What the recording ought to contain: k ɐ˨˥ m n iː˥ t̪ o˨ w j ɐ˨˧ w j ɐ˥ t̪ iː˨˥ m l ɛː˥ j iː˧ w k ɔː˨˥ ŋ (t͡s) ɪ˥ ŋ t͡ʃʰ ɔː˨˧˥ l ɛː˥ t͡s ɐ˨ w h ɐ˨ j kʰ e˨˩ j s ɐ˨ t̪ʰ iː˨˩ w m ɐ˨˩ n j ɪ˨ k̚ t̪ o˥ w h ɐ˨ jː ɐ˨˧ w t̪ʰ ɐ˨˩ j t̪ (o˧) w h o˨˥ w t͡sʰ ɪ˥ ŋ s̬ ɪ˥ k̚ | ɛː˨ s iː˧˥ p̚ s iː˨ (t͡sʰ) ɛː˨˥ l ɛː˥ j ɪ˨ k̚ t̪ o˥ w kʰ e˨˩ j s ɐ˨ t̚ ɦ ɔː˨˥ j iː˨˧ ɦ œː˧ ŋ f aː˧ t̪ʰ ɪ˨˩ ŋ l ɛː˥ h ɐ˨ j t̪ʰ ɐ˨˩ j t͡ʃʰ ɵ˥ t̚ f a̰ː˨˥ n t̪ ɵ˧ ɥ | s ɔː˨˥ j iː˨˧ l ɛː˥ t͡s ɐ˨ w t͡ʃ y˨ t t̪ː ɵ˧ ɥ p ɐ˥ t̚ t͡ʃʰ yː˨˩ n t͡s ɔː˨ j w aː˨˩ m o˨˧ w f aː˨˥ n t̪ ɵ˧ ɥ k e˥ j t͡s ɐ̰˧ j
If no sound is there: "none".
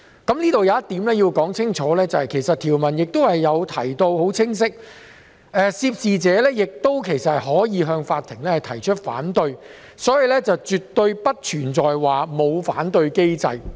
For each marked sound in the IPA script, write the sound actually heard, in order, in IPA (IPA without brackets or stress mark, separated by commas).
t͡sʰ, o˧, t͡s